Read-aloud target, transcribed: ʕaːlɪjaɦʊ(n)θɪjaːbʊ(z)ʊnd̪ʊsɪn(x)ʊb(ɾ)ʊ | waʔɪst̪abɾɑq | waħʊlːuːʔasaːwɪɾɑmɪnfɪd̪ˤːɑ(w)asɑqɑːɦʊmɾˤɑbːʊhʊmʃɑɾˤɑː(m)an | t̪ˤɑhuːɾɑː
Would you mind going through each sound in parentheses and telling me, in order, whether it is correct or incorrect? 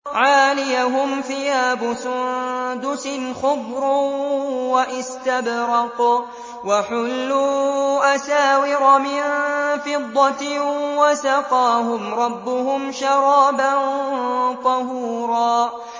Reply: incorrect: m, incorrect: s, correct, correct, correct, incorrect: b

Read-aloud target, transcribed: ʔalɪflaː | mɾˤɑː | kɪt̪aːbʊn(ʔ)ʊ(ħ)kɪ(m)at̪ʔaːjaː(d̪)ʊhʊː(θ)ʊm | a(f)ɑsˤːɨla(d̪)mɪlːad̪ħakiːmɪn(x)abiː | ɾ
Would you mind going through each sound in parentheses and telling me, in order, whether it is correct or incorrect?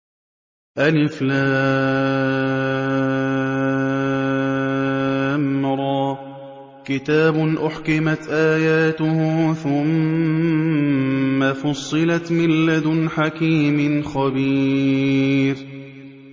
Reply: correct, correct, correct, incorrect: t̪, correct, correct, incorrect: t̪, correct

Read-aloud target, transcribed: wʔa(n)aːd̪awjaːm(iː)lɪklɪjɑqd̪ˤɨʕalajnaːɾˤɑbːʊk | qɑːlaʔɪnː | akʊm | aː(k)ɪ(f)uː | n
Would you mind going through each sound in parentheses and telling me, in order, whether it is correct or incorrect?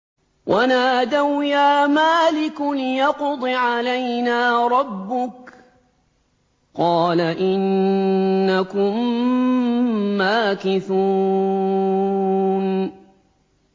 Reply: correct, incorrect: aː, correct, incorrect: θ

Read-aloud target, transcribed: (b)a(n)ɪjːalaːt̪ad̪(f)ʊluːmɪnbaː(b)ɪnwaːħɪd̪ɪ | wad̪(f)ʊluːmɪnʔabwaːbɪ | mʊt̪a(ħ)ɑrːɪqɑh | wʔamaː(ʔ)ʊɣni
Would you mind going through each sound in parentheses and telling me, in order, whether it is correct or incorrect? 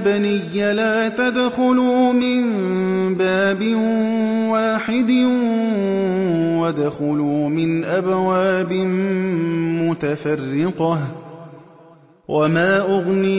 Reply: correct, correct, incorrect: x, correct, incorrect: x, incorrect: f, correct

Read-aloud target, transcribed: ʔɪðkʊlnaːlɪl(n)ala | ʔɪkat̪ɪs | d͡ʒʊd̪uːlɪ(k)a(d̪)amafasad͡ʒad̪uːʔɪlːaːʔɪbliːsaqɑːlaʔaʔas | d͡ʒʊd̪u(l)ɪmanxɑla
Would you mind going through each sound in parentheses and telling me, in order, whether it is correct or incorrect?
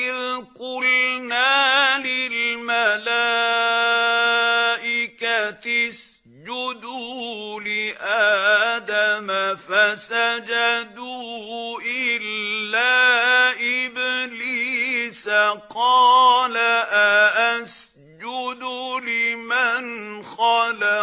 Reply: incorrect: m, incorrect: ʔ, correct, correct

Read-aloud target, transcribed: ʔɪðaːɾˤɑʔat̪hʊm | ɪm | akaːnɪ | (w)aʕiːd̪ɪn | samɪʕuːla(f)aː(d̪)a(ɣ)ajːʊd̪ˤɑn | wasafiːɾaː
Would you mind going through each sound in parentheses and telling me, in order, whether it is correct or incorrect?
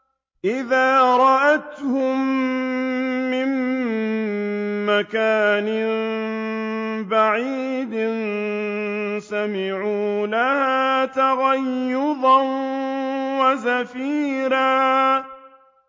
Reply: incorrect: b, incorrect: h, incorrect: t̪, correct

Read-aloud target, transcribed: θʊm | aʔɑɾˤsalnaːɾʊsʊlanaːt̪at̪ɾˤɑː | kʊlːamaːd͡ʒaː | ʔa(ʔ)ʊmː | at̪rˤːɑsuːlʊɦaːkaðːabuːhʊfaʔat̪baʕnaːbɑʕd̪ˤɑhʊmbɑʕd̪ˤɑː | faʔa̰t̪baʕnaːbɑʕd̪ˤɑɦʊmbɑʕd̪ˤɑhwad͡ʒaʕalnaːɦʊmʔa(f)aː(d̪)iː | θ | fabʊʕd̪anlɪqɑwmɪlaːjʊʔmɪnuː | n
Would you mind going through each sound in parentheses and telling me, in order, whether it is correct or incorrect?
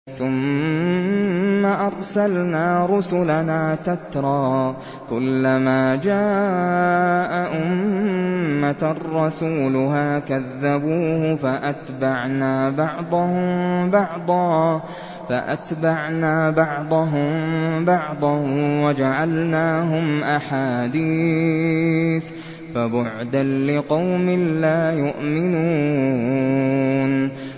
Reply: correct, incorrect: ħ, correct

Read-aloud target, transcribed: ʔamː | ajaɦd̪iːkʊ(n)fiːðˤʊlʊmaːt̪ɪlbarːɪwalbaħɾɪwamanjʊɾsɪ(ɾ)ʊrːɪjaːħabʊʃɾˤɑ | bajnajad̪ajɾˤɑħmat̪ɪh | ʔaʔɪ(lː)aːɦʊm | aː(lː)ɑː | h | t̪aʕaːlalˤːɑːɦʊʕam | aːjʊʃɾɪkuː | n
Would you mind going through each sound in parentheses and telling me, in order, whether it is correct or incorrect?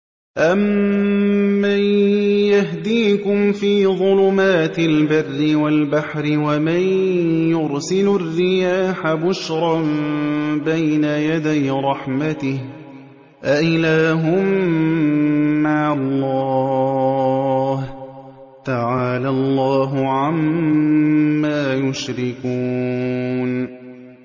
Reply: incorrect: m, incorrect: l, incorrect: l, correct

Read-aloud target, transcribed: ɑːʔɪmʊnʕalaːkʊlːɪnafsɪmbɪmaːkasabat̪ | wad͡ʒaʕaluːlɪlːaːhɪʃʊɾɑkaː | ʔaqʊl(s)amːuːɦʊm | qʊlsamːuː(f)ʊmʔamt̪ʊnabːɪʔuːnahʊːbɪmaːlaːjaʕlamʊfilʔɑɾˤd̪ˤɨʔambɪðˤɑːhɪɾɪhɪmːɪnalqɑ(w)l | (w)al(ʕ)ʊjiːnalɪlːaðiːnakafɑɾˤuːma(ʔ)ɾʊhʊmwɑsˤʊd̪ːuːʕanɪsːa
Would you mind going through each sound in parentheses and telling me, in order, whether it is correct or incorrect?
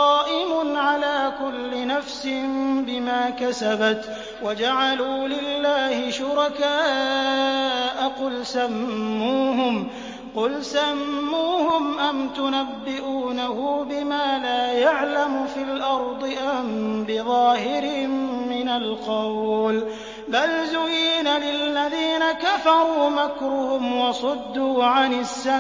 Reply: correct, incorrect: h, correct, incorrect: b, incorrect: z, incorrect: k

